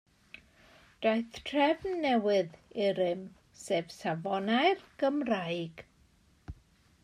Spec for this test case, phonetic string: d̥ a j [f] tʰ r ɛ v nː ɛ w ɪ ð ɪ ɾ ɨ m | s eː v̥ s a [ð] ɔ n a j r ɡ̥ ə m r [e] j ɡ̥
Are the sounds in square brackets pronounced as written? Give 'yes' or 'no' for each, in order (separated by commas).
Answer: no, no, no